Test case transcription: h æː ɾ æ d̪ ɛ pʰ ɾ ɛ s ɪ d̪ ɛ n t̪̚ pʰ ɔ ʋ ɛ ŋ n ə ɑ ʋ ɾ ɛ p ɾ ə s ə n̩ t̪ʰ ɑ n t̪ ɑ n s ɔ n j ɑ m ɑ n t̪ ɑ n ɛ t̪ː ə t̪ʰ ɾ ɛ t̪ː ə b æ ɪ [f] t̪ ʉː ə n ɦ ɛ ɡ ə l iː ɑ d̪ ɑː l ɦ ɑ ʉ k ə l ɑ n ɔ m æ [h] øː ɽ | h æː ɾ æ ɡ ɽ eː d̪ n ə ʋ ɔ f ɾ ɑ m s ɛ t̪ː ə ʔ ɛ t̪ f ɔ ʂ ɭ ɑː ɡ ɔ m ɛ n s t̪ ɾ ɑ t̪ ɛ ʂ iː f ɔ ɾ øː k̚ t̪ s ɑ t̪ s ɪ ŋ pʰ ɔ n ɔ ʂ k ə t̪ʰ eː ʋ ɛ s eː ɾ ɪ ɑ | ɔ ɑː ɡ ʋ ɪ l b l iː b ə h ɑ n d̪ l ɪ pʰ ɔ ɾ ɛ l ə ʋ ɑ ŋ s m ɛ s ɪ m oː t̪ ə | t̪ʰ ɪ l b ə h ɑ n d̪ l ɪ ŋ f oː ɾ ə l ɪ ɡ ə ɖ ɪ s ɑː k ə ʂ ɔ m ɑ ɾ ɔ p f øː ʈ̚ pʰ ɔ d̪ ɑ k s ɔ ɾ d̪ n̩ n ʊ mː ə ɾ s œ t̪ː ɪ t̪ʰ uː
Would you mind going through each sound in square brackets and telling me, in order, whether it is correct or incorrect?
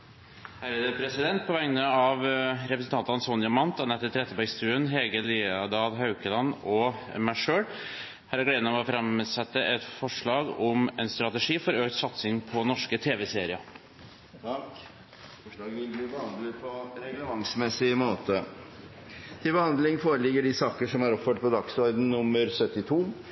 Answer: incorrect: s, incorrect: ʂ

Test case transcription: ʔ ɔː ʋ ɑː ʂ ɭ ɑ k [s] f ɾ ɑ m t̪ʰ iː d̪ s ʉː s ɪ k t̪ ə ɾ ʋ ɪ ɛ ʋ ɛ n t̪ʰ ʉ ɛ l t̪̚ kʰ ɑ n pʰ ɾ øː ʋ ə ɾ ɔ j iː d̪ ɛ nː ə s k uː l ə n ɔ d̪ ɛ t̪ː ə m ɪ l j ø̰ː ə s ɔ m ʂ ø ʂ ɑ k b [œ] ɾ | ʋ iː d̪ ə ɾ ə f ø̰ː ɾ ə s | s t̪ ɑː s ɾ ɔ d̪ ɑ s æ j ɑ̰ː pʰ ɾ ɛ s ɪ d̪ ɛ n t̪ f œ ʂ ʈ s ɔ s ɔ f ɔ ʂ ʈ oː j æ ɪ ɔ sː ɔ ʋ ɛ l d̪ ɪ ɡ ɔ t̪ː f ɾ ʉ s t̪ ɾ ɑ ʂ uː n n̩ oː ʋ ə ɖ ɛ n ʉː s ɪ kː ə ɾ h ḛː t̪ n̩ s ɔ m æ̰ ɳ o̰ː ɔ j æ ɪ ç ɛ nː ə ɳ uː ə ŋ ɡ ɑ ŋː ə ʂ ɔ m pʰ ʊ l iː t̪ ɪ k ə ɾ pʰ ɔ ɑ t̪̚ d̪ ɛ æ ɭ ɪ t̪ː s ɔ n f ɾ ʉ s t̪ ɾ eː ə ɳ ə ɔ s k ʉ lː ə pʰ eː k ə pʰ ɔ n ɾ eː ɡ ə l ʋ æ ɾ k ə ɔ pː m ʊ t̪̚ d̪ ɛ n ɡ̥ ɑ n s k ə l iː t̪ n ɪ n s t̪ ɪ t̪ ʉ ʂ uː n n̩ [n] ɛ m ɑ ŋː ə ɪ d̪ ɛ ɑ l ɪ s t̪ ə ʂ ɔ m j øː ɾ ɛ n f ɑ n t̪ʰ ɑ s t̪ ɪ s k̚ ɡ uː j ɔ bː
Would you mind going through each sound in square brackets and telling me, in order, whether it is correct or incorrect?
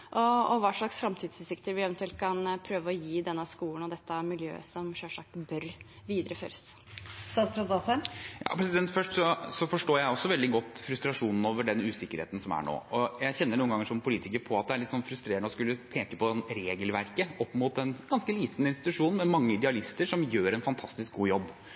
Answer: correct, correct, incorrect: m

